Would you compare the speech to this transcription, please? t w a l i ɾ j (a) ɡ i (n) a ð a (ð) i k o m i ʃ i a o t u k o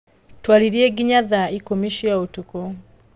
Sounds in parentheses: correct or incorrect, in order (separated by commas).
incorrect, incorrect, incorrect